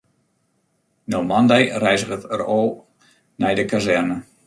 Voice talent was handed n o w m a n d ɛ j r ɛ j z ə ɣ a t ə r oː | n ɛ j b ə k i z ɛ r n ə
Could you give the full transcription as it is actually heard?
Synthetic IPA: n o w m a n d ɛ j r ɛ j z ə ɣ ə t ə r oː | n ɛ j d ə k a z ɛ r n ə